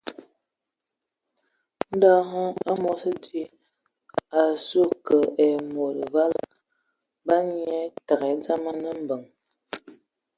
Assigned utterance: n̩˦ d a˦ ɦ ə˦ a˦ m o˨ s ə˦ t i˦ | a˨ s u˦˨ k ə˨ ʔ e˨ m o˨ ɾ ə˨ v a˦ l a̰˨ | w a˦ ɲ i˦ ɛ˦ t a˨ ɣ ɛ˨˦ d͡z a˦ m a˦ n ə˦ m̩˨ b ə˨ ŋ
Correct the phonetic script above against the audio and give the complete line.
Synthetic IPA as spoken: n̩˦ d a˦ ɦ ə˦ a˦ m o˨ s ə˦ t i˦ | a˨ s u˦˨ k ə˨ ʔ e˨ m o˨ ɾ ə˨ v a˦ l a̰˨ | b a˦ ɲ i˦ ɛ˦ t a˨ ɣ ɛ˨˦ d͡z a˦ m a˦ n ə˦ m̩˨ b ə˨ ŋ